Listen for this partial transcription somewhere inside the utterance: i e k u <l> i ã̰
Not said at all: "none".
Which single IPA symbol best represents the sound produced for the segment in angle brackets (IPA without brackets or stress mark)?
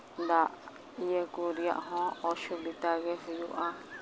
ɾ